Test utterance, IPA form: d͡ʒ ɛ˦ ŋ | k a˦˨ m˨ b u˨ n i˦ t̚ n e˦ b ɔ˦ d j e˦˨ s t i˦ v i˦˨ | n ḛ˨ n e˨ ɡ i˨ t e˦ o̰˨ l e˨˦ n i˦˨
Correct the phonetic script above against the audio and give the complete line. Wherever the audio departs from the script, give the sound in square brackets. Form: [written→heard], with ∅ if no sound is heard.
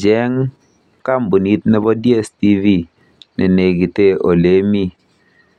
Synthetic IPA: d͡ʒ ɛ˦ ŋ | k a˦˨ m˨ b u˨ n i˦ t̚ n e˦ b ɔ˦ d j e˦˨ s t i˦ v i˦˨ | n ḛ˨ n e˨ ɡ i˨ t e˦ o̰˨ l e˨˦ [n→m] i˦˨